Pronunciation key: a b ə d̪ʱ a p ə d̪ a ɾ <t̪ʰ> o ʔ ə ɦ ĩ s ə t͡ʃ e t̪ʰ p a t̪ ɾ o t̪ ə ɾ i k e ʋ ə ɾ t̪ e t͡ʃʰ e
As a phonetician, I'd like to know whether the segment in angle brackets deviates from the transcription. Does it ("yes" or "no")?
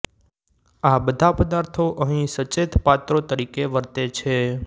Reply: no